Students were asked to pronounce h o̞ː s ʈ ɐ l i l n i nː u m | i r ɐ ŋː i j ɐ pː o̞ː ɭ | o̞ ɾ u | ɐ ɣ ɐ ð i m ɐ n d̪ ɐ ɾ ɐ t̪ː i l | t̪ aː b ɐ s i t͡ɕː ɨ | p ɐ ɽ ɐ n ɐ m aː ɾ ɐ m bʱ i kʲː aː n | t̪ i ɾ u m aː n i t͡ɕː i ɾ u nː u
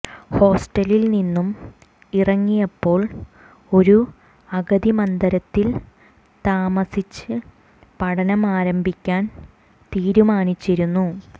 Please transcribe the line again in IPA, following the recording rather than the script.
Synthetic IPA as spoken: h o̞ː s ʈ ɐ l i l n i nː u m | i r ɐ ŋː i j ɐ pː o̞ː ɭ | o̞ ɾ u | ɐ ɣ ɐ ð i m ɐ n d̪ ɐ ɾ ɐ t̪ː i l | t̪ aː m ɐ s i t͡ɕː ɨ | p ɐ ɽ ɐ n ɐ m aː ɾ ɐ m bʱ i kʲː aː n | t̪ iː ɾ u m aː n i t͡ɕː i ɾ u nː u

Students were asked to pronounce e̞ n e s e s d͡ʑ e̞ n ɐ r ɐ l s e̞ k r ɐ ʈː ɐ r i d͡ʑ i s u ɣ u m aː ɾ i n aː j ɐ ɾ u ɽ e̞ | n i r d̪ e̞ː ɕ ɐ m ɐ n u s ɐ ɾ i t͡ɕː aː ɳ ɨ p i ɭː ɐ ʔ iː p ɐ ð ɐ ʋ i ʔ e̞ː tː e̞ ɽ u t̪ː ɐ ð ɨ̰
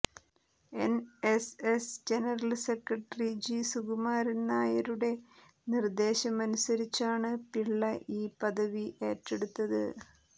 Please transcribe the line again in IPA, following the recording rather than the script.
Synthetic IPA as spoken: e̞ n e s e s d͡ʑ e̞ n ɐ r ɐ l s e̞ k r ɐ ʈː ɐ r i d͡ʑ i s u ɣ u m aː ɾ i n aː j ɐ ɾ u ɽ e̞ | n i r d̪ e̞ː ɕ ɐ m ɐ n u s ɐ ɾ i t͡ɕː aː ɳ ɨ p i ɭː ɐ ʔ iː p ɐ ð ɐ ʋ i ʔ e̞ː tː e̞ ɽ u t̪ː ɐ ð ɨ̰

